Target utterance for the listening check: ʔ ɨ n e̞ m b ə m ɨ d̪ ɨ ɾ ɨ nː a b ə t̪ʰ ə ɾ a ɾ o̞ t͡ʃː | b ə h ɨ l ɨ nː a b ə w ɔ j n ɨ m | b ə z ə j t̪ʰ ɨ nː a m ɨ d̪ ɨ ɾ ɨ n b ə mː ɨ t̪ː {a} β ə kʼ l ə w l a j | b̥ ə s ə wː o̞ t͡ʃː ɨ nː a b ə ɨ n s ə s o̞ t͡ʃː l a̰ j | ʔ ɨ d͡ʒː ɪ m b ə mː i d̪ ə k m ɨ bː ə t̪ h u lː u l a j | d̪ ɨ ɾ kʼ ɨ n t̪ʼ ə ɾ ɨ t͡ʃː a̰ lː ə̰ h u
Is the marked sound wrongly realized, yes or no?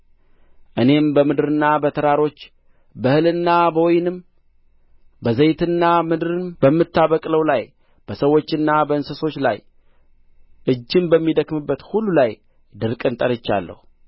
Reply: no